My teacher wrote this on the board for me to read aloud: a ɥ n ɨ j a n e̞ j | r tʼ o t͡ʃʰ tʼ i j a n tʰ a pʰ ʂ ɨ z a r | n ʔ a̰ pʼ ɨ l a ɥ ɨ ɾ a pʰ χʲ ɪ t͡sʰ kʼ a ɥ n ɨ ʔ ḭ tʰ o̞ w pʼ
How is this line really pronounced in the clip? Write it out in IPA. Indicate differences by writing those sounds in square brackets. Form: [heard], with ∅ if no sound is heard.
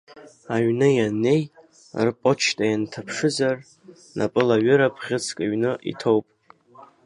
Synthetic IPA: a ɥ n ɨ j a n e̞ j | r [pʼ] o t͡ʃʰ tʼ [a] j a n tʰ a pʰ ʂ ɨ z a r | n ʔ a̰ pʼ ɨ l a ɥ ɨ ɾ a pʰ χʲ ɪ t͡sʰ kʼ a ɥ n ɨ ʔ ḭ tʰ o̞ w pʼ